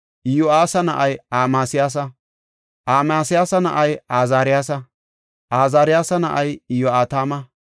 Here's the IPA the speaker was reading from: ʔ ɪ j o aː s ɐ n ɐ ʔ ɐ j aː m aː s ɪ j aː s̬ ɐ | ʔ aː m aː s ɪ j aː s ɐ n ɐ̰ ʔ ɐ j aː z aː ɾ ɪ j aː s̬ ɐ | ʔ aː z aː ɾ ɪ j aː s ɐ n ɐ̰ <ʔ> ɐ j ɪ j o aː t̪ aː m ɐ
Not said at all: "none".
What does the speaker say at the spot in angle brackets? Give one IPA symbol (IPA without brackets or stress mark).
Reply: ʔ